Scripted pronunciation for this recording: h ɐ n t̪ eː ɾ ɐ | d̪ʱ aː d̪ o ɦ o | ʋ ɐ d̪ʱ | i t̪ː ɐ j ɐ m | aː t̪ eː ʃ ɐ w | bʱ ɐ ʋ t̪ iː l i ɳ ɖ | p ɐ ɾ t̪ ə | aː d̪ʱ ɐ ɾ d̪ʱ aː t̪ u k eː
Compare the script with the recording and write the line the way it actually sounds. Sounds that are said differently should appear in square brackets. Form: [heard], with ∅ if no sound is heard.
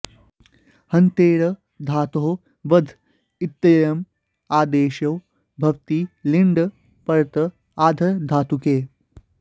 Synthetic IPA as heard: h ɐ n t̪ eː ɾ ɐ | d̪ʱ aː [t̪] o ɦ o | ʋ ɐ d̪ʱ | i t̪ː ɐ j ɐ m | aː [d̪] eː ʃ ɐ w | bʱ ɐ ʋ t̪ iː l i ɳ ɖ | p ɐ ɾ t̪ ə | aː d̪ʱ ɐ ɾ d̪ʱ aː t̪ u k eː